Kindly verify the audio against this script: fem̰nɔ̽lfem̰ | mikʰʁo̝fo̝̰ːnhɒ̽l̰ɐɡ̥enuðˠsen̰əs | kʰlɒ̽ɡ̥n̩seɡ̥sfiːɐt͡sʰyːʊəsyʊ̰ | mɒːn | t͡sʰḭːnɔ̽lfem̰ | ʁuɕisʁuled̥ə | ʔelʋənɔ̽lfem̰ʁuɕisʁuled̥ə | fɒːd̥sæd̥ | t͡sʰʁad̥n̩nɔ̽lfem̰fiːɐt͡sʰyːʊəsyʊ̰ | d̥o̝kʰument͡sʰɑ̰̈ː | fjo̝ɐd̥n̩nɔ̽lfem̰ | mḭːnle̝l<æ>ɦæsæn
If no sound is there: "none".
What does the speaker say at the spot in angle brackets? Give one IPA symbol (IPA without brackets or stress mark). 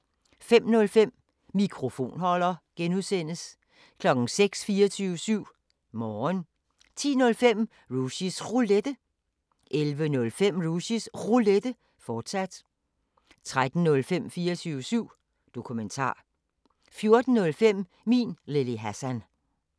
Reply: i